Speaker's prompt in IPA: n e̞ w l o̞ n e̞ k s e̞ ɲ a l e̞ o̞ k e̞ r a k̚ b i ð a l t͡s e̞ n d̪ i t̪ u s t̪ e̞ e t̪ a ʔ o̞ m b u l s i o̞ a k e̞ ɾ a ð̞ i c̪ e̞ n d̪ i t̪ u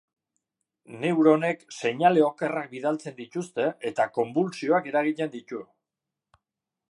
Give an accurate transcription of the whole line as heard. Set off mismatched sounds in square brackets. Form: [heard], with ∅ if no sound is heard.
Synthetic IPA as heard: n e̞ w [ɾ] o̞ n e̞ k s e̞ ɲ a l e̞ o̞ k e̞ r a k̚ b i ð a l t͡s e̞ n d̪ i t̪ u s t̪ e̞ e t̪ a [k] o̞ m b u l s i o̞ a k e̞ ɾ a [ɣ̞] i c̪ e̞ n d̪ i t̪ u